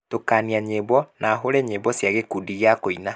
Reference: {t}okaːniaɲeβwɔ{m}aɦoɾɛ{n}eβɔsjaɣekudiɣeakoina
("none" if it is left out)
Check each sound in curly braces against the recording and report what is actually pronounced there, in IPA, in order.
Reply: t, n, ɲ

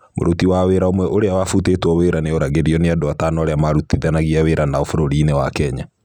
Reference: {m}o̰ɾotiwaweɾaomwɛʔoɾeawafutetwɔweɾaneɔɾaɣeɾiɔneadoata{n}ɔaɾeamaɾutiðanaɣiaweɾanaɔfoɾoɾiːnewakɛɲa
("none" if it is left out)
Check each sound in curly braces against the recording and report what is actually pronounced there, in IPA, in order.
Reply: m, n

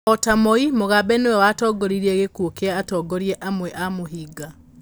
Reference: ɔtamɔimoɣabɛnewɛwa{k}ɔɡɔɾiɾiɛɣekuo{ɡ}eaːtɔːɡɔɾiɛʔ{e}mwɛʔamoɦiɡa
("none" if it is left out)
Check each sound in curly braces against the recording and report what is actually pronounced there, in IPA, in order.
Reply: t, k, a

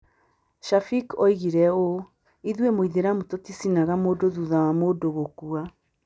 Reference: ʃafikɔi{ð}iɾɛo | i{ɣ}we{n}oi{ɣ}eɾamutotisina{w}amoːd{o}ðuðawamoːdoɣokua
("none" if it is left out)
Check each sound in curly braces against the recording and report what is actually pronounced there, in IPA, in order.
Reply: ɣ, ð, m, ð, ɣ, o

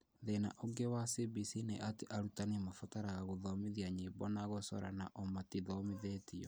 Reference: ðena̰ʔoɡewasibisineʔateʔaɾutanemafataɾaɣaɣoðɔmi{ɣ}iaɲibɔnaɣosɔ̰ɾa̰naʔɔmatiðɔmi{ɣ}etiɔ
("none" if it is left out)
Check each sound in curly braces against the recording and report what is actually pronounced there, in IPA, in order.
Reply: ð, ð

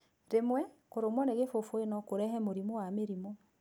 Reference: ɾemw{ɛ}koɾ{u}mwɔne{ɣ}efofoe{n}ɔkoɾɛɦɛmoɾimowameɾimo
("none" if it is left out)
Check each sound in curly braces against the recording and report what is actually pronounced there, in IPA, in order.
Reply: ɛ, o, ɣ, n

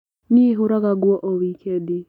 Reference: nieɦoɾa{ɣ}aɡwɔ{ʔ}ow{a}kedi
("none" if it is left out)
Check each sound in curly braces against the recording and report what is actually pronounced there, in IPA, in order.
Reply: ɣ, ʔ, i

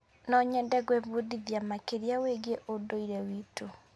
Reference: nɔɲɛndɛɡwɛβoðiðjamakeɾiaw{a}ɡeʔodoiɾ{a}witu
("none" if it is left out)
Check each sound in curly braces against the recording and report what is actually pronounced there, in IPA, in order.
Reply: e, ɛ

